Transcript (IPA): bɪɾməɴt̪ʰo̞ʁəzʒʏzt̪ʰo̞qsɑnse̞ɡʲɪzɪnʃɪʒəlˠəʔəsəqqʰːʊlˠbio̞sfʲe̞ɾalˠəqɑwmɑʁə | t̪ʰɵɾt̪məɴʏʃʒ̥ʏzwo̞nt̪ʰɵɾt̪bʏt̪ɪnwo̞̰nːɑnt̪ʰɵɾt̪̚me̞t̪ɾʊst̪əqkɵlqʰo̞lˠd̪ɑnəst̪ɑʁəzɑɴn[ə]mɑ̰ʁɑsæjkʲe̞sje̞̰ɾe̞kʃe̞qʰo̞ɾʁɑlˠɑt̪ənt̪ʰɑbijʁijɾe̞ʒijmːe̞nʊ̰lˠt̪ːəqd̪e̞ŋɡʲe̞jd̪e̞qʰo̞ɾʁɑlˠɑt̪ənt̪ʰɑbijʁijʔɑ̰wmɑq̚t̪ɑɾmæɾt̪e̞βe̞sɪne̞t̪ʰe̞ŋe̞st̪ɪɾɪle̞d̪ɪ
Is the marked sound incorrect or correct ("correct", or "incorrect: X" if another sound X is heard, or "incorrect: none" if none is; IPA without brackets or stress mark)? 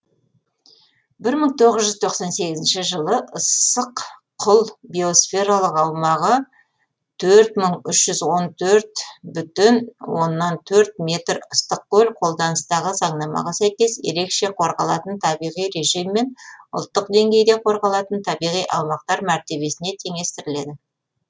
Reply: incorrect: ɑ